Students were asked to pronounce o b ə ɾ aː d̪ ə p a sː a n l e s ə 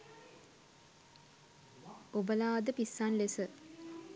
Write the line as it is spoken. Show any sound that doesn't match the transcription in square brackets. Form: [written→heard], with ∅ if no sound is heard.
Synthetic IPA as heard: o b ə [ɾ→l] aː d̪ ə p [a→i] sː a n l e s ə